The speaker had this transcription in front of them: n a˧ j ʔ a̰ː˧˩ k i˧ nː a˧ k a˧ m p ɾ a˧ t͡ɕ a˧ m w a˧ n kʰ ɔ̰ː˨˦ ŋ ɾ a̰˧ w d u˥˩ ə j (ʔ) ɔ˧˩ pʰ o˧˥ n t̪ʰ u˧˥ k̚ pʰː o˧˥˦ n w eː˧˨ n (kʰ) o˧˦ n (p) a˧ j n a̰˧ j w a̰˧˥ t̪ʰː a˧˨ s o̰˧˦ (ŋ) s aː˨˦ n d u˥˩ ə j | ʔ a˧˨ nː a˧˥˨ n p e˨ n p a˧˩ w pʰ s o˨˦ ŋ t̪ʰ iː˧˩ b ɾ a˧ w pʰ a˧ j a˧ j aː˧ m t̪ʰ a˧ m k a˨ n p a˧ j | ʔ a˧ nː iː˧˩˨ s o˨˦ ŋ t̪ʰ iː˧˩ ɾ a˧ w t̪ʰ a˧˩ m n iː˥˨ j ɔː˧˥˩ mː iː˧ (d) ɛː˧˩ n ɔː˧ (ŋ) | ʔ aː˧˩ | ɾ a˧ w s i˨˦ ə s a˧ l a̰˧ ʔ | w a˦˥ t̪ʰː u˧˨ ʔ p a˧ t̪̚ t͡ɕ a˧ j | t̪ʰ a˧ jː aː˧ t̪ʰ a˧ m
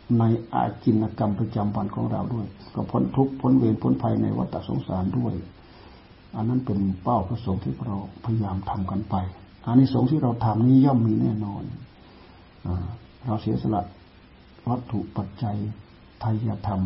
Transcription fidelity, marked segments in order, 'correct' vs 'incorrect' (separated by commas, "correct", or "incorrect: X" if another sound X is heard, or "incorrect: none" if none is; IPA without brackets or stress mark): incorrect: k, incorrect: pʰ, incorrect: pʰ, correct, incorrect: n, incorrect: n